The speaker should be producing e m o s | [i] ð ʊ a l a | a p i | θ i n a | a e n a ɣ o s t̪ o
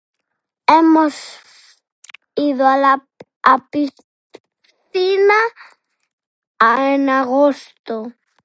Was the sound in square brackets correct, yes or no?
yes